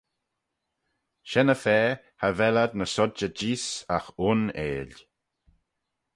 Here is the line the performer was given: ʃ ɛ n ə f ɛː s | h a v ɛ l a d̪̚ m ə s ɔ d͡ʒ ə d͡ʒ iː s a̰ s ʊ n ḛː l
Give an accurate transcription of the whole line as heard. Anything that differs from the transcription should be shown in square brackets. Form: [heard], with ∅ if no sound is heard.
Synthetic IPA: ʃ ɛ n ə f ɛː [∅] | h a v ɛ l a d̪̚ [n] ə s ɔ d͡ʒ ə d͡ʒ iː s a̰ [x] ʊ n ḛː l